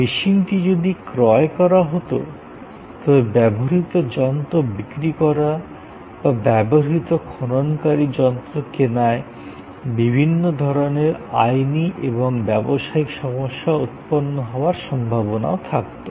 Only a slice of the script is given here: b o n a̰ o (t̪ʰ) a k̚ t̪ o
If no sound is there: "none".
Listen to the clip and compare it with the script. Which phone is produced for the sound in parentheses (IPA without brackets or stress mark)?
t̪ʰ